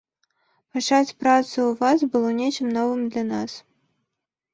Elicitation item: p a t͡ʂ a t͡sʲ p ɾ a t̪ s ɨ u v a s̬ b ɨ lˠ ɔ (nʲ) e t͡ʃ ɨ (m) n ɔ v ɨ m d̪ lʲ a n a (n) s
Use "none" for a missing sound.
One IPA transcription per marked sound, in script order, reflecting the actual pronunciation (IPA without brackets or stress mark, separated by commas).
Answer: nʲ, m, none